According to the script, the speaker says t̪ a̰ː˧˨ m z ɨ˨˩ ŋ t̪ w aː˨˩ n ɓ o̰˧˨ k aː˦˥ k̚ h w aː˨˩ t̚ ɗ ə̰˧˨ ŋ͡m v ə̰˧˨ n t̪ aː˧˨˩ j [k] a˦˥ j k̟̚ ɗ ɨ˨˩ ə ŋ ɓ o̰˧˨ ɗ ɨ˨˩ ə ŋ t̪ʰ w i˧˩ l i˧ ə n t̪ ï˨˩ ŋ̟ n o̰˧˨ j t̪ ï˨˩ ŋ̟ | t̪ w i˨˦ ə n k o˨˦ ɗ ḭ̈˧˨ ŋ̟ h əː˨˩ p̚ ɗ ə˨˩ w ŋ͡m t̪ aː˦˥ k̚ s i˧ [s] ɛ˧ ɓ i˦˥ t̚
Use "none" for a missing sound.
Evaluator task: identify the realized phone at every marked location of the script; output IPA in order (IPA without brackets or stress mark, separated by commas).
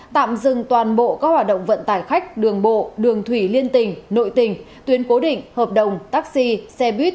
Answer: x, s